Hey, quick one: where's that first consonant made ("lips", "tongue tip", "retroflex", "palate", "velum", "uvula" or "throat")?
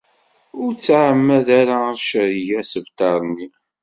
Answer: tongue tip